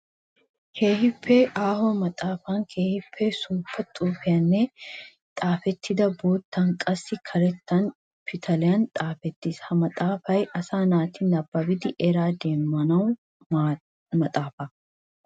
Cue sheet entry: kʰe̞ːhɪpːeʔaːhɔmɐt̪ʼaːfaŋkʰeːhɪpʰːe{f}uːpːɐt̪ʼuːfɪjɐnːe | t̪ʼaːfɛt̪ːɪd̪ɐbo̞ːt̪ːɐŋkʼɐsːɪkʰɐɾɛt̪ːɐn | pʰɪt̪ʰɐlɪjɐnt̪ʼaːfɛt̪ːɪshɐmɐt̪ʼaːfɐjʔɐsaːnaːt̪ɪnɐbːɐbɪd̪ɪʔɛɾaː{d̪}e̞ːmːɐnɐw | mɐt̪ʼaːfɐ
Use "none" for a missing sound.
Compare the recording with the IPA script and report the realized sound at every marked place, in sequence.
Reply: s, d̪

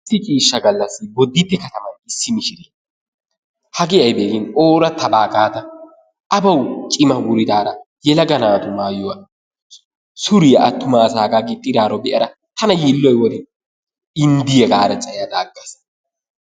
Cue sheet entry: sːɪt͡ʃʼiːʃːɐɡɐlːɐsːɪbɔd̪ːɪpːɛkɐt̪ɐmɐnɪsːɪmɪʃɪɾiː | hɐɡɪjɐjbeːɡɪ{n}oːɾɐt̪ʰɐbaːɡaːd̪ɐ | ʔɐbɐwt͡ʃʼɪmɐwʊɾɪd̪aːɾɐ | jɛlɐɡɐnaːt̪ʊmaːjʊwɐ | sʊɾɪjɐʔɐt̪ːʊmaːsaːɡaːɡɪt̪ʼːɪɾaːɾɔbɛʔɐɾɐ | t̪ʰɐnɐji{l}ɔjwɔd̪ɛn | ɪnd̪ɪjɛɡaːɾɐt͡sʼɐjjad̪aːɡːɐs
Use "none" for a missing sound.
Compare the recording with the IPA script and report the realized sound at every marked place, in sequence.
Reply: n, lː

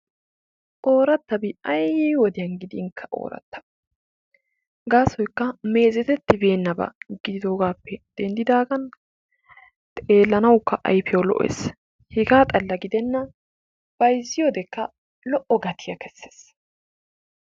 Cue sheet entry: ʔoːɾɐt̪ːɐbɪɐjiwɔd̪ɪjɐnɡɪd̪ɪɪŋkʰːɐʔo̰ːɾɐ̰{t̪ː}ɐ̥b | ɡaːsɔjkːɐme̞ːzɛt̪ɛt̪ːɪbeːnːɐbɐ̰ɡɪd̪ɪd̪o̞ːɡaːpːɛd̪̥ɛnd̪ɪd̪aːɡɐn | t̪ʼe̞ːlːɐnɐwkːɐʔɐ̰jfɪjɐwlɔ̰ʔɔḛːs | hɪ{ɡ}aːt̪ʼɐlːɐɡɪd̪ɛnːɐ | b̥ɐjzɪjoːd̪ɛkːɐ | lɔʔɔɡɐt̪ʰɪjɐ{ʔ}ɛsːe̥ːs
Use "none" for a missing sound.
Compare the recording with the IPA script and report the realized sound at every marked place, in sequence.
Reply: t̪ː, ɡ, k

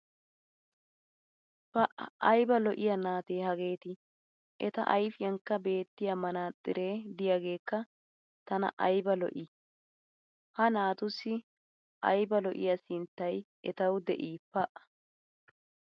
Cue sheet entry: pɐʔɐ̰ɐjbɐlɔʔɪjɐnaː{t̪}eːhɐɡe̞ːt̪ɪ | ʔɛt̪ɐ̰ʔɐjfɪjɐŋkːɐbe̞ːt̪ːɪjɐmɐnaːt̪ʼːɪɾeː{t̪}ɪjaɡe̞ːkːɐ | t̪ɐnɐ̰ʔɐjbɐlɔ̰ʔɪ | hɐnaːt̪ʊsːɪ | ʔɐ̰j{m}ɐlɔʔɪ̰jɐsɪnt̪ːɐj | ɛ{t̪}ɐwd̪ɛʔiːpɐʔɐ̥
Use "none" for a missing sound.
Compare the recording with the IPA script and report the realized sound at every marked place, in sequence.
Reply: t̪, d̪, b, t̪

